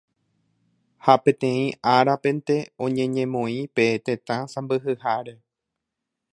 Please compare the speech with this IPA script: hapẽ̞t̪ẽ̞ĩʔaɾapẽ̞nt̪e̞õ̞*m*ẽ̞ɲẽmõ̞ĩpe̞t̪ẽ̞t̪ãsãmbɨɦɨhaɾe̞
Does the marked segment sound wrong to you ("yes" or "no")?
yes